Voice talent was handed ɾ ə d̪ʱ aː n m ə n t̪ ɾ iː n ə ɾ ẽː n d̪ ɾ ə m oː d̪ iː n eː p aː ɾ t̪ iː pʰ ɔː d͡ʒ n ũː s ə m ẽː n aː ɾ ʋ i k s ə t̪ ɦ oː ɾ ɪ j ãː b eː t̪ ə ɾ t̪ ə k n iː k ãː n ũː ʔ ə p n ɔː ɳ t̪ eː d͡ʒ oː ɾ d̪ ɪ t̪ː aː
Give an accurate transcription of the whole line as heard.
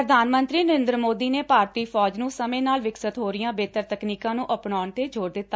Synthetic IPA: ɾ ə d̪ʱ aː n m ə n t̪ ɾ iː n ə ɾ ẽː n d̪ ɾ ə m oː d̪ iː n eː p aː ɾ t̪ iː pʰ ɔː d͡ʒ n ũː s ə m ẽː n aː l ʋ ɪ k s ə t̪ ɦ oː ɾ ɪ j ãː b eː t̪ ə ɾ t̪ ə k n iː k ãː n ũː ʔ ə p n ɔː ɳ t̪ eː d͡ʒ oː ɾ d̪ ɪ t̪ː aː